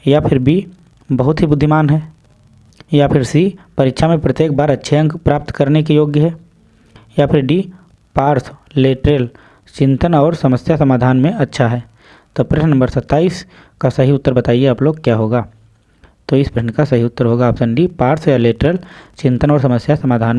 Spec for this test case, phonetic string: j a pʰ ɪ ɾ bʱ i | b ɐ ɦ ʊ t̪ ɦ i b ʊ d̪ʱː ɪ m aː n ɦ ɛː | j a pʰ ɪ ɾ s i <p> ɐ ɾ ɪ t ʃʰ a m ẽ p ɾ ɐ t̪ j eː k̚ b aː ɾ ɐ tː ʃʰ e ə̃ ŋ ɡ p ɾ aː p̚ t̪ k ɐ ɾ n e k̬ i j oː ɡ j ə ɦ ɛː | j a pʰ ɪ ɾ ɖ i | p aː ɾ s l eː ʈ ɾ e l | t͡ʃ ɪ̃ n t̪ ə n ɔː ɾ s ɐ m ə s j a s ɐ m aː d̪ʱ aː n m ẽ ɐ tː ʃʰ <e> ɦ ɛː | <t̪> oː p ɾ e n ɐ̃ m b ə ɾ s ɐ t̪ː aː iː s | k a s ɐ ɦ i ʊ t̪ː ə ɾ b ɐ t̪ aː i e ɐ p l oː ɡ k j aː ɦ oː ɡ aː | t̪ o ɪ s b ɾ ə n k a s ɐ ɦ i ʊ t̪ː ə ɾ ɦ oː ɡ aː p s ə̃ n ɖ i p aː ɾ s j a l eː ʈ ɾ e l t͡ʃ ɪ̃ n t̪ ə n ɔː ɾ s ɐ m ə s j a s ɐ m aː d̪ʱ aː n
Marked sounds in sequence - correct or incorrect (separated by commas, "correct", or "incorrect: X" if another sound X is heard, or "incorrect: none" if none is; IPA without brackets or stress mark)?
correct, incorrect: a, correct